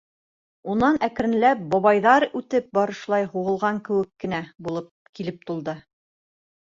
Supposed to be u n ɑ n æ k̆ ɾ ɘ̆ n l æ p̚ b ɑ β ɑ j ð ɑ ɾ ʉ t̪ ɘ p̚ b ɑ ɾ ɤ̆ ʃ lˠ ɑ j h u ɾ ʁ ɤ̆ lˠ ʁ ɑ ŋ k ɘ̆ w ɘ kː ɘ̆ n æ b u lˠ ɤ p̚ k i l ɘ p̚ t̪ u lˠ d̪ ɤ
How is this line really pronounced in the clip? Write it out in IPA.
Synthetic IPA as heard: u n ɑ n æ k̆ ɾ ɘ̆ n l æ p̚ b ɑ β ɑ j ð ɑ ɾ ʉ t̪ ɘ p̚ b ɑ ɾ ɤ̆ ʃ lˠ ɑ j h u ʁ ɤ̆ lˠ ʁ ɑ ŋ k ɘ̆ w ɘ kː ɘ̆ n æ b u lˠ ɤ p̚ k i l ɘ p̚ t̪ u lˠ d̪ ɤ